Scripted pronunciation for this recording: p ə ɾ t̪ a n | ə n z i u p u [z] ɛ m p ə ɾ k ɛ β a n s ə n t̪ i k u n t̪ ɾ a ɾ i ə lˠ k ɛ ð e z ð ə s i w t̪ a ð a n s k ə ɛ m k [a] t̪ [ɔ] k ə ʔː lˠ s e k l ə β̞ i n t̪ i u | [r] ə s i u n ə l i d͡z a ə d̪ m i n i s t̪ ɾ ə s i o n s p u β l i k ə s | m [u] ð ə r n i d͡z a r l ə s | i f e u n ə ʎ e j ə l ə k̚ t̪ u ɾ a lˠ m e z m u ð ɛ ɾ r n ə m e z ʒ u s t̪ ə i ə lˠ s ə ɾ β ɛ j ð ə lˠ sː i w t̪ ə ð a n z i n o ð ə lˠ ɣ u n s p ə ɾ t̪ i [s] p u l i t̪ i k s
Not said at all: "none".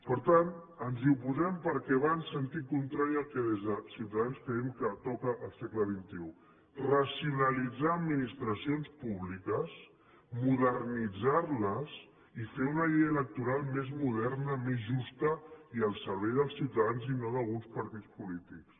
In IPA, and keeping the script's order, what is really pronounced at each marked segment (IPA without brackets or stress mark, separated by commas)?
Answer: z, ə, ɔ, r, u, t͡s